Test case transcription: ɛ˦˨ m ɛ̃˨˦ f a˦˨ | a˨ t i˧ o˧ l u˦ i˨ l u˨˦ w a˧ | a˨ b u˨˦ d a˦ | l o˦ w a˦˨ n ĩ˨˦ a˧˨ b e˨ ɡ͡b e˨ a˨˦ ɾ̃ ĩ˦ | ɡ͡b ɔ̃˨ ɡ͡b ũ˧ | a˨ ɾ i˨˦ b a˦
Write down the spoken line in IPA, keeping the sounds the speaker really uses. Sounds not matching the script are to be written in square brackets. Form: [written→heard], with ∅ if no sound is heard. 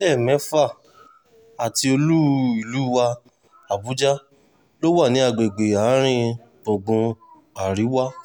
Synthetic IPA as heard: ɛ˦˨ m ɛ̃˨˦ f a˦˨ | a˨ t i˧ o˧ l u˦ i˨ l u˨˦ w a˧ | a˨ b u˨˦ [d→d͡ʒ] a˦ | l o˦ w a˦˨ n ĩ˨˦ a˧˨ [b→ɡ͡b] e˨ ɡ͡b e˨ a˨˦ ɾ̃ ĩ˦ | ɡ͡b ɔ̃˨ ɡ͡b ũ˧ | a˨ ɾ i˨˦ [b→w] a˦